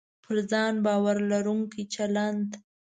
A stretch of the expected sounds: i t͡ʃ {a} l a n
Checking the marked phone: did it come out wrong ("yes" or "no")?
no